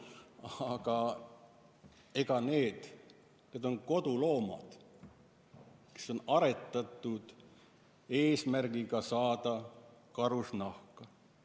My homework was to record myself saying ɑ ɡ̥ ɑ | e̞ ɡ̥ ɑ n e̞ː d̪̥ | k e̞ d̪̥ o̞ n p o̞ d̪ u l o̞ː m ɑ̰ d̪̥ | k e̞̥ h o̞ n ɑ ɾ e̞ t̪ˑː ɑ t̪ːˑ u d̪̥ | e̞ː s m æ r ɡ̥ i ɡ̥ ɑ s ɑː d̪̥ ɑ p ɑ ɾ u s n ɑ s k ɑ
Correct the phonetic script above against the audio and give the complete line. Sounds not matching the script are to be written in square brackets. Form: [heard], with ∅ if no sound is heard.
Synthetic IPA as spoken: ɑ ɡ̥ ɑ | e̞ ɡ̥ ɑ n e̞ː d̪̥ | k e̞ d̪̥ o̞ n [k] o̞ d̪ u l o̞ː m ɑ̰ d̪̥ | k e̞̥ [s] o̞ n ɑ ɾ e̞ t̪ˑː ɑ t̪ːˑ u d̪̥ | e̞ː s m æ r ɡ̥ i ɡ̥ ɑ s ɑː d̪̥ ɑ [k] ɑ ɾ u s n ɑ [h] k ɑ

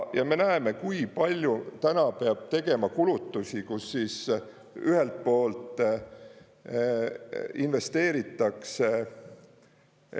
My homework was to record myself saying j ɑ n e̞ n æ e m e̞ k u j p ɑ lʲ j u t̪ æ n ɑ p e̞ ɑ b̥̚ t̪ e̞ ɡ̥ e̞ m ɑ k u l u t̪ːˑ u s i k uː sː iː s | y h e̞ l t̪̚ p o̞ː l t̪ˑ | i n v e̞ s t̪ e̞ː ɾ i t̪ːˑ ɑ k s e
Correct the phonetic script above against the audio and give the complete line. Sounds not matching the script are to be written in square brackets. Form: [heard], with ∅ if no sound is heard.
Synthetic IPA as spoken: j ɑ [m] e̞ n æ e m e̞ k u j p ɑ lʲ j u t̪ æ n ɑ p e̞ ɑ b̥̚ t̪ e̞ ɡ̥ e̞ m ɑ k u l u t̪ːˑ u s i k [u] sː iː s | y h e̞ l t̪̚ p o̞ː l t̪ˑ | i n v e̞ s t̪ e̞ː ɾ i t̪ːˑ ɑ k s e

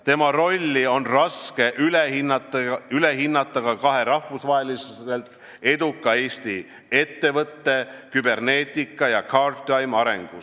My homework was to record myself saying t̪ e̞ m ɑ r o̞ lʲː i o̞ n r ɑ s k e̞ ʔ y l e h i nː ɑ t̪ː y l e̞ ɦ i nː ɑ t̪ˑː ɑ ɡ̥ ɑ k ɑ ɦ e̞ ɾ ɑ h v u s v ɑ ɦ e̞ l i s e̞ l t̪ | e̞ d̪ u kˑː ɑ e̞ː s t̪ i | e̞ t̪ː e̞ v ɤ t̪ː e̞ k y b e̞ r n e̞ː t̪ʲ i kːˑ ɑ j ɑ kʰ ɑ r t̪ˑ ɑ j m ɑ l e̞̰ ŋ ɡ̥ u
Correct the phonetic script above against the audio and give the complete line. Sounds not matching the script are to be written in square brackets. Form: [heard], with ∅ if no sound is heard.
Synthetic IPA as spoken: t̪ e̞ m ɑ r o̞ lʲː i o̞ n r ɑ s k e̞ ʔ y l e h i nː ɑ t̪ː y l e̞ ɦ i nː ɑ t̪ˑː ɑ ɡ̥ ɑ k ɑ ɦ e̞ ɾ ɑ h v u s v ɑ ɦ e̞ l i s e̞ l t̪ | e̞ d̪ u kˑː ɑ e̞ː s t̪ i | e̞ t̪ː e̞ v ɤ t̪ː e̞ k y b e̞ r n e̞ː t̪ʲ i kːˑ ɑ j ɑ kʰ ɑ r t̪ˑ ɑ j m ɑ [ɾ] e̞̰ ŋ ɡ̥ u

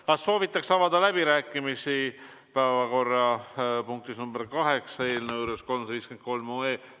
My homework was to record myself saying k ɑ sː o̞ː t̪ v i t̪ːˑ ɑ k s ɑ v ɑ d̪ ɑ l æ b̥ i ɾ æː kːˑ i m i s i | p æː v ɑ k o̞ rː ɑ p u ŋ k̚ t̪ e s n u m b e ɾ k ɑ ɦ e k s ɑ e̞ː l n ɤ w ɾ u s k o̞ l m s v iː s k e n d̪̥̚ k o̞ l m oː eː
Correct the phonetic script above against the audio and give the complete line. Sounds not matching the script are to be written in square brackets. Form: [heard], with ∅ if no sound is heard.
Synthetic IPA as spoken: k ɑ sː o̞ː [∅] v i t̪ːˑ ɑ k s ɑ v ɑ d̪ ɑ l æ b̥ i ɾ æː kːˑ i m i s i | p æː v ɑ k o̞ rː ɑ p u ŋ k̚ t̪ [i] s n u m b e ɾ k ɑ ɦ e k s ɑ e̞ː l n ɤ w ɾ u s k o̞ l m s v iː s k e n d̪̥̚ k o̞ l m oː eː

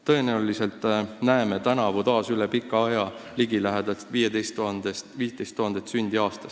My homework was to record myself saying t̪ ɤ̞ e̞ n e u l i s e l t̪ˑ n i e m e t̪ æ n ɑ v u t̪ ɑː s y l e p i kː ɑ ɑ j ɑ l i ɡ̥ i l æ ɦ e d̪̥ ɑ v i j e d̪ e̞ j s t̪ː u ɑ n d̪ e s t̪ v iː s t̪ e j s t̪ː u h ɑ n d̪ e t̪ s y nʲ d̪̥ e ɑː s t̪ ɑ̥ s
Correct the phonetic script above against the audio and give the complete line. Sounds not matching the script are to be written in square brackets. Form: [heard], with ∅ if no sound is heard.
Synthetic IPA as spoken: t̪ ɤ̞ e̞ n e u l i s e l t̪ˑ n [æ] e m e t̪ æ n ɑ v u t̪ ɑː s y l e p i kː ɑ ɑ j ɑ l i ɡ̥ i l æ ɦ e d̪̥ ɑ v i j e d̪ e̞ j s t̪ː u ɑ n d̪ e s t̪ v iː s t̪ e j s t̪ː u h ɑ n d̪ e t̪ s y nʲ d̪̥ [i] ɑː s t̪ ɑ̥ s

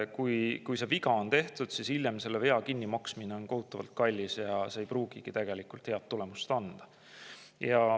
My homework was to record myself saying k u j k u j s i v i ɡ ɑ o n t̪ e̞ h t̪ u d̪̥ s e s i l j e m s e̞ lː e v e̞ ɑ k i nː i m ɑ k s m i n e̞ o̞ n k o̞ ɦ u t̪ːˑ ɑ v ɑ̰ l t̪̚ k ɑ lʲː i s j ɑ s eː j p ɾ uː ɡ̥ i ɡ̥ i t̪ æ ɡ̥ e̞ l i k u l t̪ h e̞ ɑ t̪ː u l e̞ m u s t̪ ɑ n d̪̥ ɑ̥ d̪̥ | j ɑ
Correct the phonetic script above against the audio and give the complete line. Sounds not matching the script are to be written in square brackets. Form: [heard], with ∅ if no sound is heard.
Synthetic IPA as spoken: k u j k u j s [e] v i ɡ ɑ o n t̪ e̞ h t̪ u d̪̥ s [i] s i l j e m s e̞ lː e v e̞ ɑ k i nː i m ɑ k s m i n e̞ o̞ n k o̞ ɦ u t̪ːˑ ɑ v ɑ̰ l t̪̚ k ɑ lʲː i s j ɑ s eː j p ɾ uː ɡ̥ i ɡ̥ i t̪ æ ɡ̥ e̞ l i k u l t̪ h e̞ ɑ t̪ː u l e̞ m u s t̪ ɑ n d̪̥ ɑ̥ [∅] | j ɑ

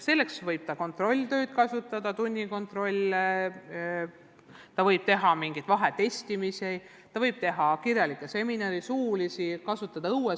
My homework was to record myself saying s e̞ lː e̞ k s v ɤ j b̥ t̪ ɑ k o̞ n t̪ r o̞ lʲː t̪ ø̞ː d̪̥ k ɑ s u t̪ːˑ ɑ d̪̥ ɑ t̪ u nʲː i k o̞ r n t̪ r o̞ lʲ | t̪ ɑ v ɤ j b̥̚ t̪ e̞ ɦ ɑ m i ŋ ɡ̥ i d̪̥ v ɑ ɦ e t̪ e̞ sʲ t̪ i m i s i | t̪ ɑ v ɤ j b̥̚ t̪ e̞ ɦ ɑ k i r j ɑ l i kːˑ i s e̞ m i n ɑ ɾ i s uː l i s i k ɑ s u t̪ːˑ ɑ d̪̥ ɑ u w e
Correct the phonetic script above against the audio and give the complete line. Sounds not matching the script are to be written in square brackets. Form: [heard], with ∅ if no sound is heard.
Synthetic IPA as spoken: s e̞ lː e̞ k s v ɤ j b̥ t̪ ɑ k o̞ n t̪ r o̞ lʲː t̪ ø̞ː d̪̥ k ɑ s u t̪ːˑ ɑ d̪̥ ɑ t̪ u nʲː i k o̞ [∅] n t̪ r o̞ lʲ | t̪ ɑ v ɤ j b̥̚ t̪ e̞ ɦ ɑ m i ŋ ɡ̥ i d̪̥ v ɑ ɦ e t̪ e̞ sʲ t̪ i m i s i | t̪ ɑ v ɤ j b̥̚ t̪ e̞ ɦ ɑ k i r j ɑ l i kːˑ [e] s e̞ m i n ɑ ɾ i s uː l i s i k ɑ s u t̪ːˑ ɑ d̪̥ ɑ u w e

